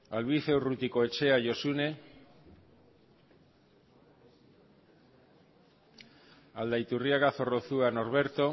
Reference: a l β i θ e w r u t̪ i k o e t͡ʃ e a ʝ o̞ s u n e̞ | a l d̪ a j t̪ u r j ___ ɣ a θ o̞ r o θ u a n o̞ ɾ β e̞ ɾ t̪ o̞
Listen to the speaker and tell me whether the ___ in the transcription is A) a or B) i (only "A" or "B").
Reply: A